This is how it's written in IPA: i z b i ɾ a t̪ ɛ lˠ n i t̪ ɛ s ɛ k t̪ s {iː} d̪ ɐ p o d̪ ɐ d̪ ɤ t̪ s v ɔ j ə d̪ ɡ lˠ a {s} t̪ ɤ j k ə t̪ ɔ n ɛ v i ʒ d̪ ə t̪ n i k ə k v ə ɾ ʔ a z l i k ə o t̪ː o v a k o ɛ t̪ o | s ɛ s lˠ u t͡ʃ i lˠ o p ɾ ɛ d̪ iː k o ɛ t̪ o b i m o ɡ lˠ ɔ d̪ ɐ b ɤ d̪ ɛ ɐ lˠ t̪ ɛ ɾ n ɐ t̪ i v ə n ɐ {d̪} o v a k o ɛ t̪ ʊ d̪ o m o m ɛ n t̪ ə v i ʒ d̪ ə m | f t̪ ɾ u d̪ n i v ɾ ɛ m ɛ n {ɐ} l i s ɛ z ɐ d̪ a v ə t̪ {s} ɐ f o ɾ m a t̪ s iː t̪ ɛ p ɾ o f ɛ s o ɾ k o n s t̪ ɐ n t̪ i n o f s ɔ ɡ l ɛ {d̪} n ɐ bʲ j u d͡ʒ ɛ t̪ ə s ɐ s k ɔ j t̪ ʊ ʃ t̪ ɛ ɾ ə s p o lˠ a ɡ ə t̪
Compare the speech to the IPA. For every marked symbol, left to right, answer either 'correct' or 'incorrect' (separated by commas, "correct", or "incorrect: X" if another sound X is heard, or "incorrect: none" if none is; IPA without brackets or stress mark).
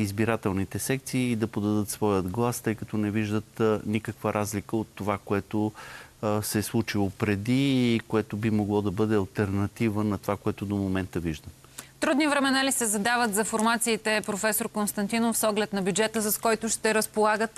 correct, correct, incorrect: t̪, incorrect: a, incorrect: z, incorrect: t̪